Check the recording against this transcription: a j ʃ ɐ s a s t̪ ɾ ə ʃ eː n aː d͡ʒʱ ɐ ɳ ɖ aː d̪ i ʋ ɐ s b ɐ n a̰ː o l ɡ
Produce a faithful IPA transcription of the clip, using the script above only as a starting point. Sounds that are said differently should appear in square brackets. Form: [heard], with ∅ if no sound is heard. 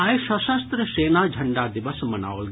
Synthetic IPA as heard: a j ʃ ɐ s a s t̪ ɾ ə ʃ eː n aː d͡ʒʱ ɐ ɳ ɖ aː d̪ i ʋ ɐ s [m] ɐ n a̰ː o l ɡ